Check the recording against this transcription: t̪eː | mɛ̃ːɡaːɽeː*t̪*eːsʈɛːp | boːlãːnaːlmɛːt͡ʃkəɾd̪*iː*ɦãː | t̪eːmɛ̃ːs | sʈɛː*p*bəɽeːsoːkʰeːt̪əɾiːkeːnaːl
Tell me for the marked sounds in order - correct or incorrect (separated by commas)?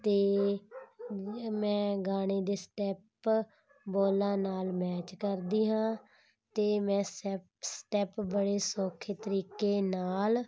incorrect, correct, correct